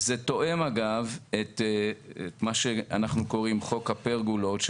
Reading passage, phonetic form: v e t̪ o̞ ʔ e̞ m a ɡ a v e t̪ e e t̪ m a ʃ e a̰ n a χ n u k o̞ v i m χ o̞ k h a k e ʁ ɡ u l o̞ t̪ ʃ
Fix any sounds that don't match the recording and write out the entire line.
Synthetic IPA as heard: z e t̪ o̞ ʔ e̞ m a ɡ a v e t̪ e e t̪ m a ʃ e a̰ n a χ n u k o̞ ʁ i m χ o̞ k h a p e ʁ ɡ u l o̞ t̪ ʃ